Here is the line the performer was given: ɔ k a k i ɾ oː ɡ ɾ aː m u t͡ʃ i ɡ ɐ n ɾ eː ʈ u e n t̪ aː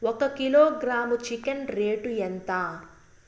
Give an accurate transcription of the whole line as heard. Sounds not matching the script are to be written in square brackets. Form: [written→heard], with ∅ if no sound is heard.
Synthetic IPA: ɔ k [a→ɐ] k i [ɾ→l] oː ɡ ɾ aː m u t͡ʃ i [ɡ→k] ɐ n ɾ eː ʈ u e n t̪ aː